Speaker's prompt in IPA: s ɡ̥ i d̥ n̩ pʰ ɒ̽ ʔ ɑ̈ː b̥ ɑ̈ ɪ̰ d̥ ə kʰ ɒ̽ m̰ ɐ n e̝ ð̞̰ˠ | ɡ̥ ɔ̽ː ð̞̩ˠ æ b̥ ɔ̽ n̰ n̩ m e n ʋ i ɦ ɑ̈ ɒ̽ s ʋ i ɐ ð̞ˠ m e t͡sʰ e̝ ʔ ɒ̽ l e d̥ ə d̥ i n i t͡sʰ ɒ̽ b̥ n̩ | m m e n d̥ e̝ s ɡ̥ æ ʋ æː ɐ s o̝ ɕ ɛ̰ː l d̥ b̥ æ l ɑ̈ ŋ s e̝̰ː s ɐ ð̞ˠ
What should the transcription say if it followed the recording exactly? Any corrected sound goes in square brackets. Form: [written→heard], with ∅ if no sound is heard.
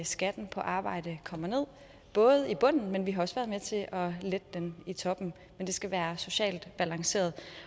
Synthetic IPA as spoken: s ɡ̥ [i→æ] d̥ n̩ pʰ ɒ̽ ʔ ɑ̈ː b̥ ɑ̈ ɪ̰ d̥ ə kʰ ɒ̽ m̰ ɐ n e̝ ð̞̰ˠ | [ɡ̥→b̥] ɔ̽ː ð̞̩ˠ [æ→i] b̥ ɔ̽ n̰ n̩ m e n ʋ i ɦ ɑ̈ ɒ̽ s ʋ [i→æ] ɐ ð̞ˠ m e t͡sʰ e̝ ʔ ɒ̽ l e d̥ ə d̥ [i→e] n i t͡sʰ ɒ̽ b̥ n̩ | m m e n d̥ e̝ s ɡ̥ æ ʋ æː ɐ s o̝ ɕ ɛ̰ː l d̥ b̥ æ l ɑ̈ ŋ s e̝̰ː [s→∅] ɐ ð̞ˠ